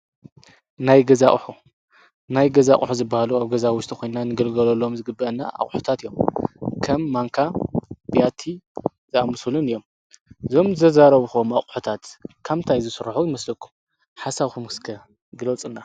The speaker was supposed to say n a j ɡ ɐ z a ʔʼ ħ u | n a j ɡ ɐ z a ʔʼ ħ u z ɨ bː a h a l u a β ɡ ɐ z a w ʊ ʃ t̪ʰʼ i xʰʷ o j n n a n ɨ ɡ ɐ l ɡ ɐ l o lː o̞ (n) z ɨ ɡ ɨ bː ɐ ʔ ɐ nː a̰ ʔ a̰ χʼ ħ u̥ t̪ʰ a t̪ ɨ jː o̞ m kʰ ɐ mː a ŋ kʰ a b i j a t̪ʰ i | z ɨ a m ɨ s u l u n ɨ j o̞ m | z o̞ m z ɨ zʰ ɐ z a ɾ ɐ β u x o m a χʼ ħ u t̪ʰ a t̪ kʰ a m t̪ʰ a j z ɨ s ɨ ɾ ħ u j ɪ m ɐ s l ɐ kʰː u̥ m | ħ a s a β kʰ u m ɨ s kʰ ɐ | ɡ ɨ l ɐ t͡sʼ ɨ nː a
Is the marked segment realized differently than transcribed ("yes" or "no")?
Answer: yes